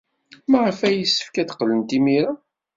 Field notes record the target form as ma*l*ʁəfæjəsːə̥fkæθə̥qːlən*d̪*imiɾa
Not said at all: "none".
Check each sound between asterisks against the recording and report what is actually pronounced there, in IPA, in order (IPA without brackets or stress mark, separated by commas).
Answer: none, t̪